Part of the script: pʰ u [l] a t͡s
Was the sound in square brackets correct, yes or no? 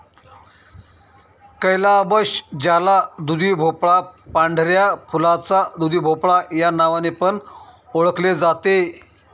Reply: yes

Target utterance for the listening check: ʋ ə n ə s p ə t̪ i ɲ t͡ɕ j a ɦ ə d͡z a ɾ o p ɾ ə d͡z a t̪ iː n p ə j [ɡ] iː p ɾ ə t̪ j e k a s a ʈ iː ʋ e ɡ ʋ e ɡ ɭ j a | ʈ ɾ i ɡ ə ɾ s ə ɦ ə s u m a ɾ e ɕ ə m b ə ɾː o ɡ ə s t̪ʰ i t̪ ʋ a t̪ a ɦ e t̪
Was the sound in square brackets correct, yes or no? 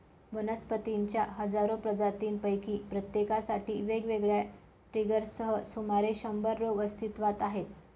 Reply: no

